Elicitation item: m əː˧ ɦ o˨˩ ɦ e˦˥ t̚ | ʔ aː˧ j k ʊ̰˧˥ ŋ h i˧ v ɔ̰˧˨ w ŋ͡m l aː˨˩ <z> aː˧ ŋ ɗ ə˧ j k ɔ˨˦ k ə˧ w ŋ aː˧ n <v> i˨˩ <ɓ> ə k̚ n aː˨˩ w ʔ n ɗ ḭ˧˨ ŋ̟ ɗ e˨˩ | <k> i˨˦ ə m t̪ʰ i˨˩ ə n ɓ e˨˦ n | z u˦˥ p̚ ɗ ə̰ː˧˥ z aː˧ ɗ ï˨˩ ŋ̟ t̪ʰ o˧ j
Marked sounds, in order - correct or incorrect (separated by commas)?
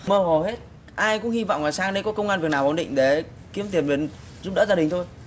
incorrect, correct, incorrect, correct